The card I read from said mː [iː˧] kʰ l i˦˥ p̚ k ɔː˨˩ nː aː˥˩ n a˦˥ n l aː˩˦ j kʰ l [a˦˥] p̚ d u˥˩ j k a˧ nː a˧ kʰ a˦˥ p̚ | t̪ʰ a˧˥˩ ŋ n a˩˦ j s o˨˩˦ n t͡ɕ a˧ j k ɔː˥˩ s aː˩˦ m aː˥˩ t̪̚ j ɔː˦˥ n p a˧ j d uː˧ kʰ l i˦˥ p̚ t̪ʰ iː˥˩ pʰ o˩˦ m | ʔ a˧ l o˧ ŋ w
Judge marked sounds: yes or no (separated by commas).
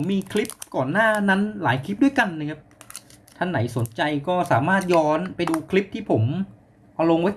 yes, no